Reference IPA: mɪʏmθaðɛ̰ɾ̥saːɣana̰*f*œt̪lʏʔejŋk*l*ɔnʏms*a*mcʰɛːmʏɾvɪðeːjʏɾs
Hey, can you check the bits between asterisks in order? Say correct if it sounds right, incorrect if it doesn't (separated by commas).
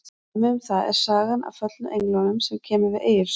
correct, correct, incorrect